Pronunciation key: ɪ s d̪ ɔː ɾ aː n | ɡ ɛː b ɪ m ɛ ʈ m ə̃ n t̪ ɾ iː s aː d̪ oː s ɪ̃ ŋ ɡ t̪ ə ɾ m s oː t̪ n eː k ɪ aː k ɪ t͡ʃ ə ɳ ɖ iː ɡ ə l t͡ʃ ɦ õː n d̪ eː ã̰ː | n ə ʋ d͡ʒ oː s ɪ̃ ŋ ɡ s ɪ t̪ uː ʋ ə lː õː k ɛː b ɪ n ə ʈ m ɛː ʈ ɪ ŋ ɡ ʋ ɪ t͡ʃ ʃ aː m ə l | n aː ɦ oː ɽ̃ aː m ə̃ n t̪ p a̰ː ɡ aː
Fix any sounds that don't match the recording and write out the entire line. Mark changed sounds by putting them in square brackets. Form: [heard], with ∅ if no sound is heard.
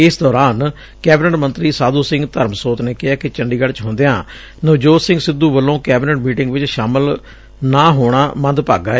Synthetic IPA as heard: ɪ s d̪ ɔː ɾ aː n | [k] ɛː b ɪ [n] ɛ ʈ m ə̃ n t̪ ɾ iː s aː d̪ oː s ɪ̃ ŋ ɡ t̪ ə ɾ m s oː t̪ n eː k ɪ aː k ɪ t͡ʃ ə ɳ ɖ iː ɡ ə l t͡ʃ ɦ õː n d̪ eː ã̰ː | n ə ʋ d͡ʒ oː s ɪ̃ ŋ ɡ s ɪ [d̪] uː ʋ ə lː õː k ɛː b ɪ n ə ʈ m [iː] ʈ ɪ ŋ ɡ ʋ ɪ t͡ʃ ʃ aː m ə l | n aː ɦ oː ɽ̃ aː m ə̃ n [d̪] p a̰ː ɡ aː